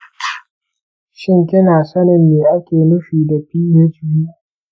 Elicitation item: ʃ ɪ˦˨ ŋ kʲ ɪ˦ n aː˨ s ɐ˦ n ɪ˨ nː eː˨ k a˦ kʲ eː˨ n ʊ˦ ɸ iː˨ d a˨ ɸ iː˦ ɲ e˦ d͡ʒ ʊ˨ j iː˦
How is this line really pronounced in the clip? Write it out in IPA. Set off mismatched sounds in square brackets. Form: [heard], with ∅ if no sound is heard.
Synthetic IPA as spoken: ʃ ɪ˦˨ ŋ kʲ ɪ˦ n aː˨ s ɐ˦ n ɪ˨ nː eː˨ [ʔ] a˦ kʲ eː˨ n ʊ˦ ɸ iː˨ d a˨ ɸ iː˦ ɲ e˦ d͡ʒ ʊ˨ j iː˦

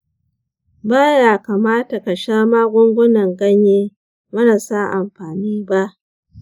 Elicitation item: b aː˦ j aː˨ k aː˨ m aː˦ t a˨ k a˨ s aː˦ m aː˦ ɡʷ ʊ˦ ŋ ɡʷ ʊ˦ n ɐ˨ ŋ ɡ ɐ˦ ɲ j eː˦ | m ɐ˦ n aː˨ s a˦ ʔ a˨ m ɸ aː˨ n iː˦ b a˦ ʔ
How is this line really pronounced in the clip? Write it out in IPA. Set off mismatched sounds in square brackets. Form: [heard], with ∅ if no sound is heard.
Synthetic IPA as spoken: b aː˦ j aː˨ k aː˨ m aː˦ t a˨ k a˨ [ʃ] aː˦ m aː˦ ɡʷ ʊ˦ ŋ ɡʷ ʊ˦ n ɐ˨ ŋ ɡ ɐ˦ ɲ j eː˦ | m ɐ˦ n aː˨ s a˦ ʔ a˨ m ɸ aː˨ n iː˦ b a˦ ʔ

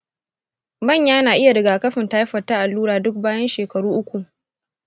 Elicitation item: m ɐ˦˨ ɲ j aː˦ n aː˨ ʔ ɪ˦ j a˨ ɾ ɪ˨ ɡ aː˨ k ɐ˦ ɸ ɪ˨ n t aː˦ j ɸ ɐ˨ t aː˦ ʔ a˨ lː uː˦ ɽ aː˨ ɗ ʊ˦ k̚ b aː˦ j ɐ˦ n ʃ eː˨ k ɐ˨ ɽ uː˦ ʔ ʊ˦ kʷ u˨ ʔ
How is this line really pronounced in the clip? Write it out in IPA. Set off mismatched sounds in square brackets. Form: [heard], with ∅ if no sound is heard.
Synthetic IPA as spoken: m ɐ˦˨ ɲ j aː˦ n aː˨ ʔ ɪ˦ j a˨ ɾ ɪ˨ ɡ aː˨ k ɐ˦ ɸ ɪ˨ n t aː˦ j ɸ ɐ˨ t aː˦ ʔ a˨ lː uː˦ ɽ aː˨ [d] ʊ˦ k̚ b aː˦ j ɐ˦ n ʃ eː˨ k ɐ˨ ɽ uː˦ ʔ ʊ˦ kʷ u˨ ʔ

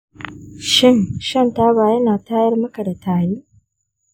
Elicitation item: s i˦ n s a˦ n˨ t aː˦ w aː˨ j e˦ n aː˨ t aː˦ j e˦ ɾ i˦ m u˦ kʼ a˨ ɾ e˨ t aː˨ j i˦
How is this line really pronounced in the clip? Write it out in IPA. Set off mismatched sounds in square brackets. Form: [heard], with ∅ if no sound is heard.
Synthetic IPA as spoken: [ʃ] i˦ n [ʃ] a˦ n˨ t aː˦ [β] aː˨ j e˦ n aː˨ t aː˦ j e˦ ɾ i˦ m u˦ [k] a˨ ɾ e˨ t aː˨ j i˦

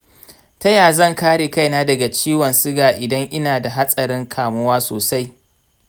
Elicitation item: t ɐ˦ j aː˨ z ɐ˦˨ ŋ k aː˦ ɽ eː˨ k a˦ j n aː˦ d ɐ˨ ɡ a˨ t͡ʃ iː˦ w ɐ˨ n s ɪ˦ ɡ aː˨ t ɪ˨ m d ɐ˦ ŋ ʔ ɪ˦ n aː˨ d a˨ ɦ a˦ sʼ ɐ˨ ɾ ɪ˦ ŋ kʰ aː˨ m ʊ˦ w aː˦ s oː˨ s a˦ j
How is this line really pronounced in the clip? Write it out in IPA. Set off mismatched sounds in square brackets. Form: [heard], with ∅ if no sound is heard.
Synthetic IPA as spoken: t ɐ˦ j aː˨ z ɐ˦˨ ŋ k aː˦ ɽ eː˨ k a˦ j n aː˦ d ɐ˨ ɡ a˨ t͡ʃ iː˦ w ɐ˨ n s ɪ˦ ɡ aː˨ [ʔ] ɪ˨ [∅] d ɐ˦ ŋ ʔ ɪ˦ n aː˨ d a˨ ɦ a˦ sʼ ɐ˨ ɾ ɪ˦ ŋ kʰ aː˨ m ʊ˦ w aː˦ s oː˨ s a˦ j

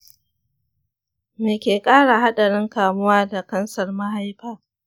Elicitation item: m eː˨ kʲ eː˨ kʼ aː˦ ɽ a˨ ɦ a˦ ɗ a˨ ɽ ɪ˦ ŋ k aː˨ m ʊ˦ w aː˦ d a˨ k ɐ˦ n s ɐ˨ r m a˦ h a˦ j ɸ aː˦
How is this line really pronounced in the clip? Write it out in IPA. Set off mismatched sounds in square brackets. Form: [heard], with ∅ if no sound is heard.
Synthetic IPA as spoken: m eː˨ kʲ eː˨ kʼ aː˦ ɽ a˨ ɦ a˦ ɗ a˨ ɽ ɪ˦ ŋ k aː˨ m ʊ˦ w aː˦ d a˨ k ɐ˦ n s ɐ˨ r m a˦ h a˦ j ɸ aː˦

